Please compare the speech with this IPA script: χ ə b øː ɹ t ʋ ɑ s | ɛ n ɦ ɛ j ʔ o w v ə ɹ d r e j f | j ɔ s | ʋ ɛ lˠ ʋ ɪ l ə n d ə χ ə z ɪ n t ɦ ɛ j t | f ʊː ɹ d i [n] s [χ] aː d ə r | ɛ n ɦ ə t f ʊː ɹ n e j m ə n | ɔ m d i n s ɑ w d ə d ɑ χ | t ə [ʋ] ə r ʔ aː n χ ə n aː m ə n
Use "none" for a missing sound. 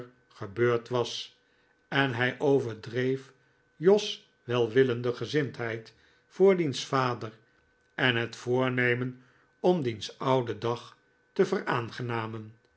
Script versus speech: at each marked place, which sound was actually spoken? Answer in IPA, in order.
n, f, v

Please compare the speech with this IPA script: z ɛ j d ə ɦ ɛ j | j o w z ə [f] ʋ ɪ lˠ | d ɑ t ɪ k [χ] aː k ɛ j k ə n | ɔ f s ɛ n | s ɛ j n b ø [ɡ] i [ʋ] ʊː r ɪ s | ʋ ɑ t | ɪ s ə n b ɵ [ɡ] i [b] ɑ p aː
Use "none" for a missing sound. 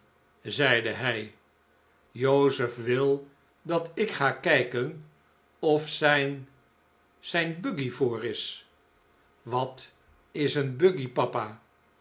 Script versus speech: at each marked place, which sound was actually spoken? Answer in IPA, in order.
f, χ, ɡ, v, ɡ, p

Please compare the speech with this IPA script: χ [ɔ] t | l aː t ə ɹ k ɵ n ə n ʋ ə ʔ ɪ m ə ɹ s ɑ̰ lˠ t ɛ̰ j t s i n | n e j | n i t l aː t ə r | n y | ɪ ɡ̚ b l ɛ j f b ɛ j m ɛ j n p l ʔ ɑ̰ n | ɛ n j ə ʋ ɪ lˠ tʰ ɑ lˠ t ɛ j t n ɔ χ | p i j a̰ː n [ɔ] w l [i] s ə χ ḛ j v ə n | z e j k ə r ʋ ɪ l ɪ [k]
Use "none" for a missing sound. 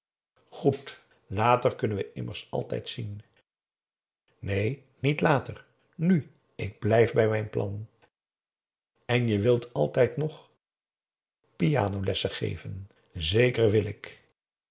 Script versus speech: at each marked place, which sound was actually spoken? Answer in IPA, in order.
u, o, ɛ, k

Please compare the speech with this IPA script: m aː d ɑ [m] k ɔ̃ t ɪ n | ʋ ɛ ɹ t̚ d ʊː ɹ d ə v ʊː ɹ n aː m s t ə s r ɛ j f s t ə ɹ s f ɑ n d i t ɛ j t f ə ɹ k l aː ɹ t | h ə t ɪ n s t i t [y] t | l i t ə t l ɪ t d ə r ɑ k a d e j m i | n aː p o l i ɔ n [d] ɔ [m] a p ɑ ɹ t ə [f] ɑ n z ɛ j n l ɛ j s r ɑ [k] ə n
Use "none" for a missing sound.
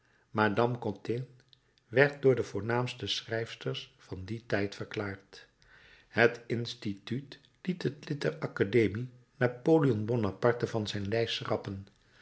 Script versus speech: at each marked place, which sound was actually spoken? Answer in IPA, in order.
m, y, b, n, v, p

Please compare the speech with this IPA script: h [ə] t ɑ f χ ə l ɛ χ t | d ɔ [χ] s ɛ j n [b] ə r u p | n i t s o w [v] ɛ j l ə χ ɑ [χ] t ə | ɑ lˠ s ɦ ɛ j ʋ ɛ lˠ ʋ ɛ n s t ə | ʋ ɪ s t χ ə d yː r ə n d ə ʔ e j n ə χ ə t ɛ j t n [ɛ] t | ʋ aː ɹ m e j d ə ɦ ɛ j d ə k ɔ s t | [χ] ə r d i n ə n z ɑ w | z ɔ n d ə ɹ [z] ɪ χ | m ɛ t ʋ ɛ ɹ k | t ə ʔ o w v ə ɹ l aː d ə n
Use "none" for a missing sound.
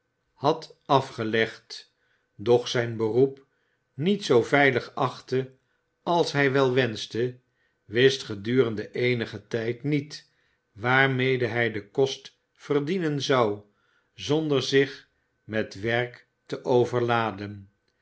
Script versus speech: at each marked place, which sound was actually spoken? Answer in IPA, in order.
ɑ, χ, b, v, χ, i, f, z

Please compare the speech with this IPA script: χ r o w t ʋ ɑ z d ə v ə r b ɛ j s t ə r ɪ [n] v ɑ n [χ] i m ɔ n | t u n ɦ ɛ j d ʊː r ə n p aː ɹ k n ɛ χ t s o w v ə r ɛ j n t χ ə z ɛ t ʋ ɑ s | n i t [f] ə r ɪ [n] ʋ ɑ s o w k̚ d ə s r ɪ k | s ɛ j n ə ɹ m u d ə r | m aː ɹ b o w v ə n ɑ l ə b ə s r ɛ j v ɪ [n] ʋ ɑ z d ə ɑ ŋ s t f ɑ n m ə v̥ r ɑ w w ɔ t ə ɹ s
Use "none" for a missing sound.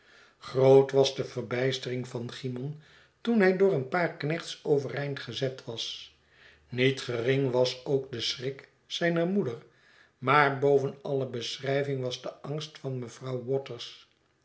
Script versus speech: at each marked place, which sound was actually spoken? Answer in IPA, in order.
ŋ, χ, χ, ŋ, ŋ

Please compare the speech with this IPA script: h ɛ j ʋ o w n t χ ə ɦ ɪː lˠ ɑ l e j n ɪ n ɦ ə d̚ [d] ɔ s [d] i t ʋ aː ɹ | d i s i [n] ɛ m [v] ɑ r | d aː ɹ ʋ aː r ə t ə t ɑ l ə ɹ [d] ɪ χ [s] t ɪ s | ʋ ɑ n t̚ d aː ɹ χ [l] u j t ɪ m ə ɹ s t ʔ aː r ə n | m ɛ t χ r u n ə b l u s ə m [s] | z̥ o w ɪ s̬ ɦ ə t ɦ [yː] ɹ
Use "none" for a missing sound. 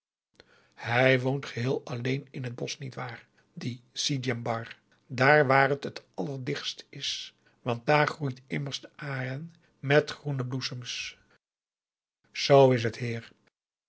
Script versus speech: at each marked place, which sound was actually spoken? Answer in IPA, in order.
b, n, d, b, d, s, r, s, iː

